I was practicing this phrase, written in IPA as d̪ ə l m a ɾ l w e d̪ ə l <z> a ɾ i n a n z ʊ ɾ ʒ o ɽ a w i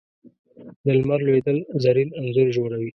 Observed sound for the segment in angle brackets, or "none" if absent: z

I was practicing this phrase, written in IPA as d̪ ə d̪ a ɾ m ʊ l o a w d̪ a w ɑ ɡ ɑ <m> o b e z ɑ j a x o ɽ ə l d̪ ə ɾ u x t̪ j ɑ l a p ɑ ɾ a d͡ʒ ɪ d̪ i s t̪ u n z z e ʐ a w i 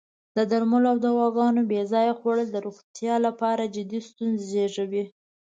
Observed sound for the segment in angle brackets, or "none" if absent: n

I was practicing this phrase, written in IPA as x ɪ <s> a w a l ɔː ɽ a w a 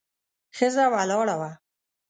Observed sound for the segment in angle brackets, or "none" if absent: z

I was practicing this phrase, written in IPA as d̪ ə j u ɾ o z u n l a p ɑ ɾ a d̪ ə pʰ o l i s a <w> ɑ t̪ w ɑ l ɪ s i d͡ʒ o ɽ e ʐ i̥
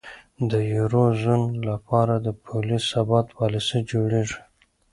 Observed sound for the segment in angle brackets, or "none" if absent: b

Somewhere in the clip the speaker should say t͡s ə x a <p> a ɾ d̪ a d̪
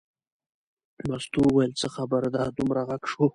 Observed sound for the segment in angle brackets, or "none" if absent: b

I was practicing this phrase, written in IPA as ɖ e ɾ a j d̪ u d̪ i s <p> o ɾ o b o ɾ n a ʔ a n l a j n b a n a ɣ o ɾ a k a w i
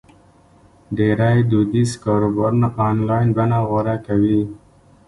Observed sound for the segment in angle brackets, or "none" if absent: k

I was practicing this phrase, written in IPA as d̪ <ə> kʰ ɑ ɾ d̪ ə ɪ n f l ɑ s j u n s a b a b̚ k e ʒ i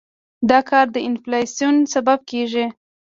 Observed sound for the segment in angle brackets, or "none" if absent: ɑ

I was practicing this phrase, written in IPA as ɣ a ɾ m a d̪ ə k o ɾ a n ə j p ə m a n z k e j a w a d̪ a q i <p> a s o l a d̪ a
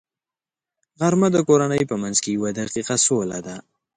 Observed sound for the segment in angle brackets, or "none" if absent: q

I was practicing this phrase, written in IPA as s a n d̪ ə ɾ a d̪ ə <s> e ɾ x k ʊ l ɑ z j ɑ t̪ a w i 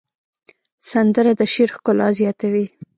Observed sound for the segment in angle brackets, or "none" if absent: ʃ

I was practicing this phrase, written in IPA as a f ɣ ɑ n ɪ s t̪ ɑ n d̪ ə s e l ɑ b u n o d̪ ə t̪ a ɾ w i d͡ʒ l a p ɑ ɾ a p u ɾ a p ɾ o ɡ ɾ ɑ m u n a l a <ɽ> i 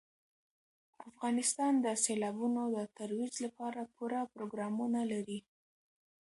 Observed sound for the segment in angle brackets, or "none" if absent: ɾ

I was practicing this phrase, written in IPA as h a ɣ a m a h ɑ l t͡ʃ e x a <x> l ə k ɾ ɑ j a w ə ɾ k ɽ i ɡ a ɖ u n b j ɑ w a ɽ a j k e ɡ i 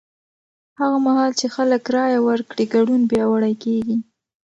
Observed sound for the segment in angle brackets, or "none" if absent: none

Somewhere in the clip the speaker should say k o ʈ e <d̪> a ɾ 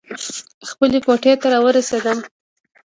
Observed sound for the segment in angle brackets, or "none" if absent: t̪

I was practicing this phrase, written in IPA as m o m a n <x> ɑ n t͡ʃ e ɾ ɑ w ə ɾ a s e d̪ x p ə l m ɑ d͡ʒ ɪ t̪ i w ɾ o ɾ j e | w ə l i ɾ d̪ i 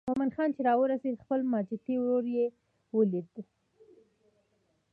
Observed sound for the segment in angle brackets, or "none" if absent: x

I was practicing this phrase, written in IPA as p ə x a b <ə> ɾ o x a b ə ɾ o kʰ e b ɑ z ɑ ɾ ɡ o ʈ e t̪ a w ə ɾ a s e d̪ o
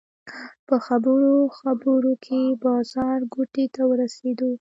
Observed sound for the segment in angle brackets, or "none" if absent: ə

